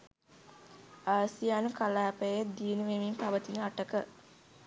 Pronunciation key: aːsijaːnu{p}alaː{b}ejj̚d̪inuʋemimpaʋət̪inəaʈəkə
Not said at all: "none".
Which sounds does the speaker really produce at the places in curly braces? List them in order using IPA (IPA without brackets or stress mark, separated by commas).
k, p